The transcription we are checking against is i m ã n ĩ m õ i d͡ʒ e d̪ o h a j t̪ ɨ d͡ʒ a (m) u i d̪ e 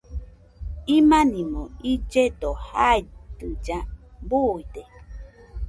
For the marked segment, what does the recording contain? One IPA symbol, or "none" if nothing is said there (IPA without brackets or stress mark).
b